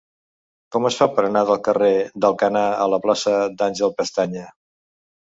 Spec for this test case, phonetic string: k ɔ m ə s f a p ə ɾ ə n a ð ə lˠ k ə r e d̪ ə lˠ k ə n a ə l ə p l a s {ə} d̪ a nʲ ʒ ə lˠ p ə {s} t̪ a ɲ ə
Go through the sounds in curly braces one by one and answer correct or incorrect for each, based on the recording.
correct, correct

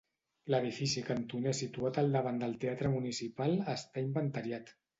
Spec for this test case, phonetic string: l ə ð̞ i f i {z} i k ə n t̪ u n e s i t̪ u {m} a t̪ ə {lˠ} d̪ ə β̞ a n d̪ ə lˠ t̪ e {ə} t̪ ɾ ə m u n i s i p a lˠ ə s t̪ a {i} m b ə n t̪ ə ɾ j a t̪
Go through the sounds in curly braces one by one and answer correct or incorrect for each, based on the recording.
incorrect, incorrect, correct, incorrect, correct

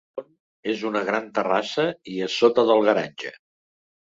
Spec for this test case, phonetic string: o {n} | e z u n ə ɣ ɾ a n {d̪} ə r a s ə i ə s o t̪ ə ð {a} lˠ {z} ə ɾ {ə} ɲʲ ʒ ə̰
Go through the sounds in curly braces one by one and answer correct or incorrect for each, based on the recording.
correct, incorrect, incorrect, incorrect, incorrect

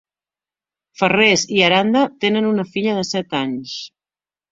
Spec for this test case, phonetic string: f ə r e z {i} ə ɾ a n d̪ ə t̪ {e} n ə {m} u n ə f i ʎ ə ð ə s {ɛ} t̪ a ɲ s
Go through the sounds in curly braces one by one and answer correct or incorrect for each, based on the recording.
correct, correct, incorrect, correct

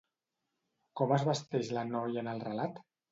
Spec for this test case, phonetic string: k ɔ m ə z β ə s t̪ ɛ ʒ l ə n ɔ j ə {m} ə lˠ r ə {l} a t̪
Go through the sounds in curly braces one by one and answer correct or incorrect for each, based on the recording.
incorrect, correct

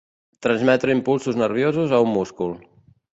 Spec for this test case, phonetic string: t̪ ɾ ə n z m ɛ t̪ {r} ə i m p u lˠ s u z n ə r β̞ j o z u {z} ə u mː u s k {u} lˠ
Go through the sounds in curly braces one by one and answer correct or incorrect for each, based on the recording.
incorrect, correct, correct

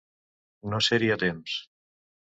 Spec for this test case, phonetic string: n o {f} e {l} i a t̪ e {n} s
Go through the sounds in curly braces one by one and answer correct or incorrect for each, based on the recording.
incorrect, incorrect, incorrect

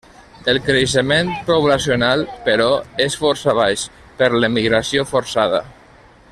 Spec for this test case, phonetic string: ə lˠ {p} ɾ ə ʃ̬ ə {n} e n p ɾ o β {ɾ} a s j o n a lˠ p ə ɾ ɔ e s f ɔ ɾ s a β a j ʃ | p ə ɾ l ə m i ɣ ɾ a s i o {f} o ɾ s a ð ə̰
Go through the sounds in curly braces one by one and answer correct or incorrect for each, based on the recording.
incorrect, incorrect, incorrect, correct

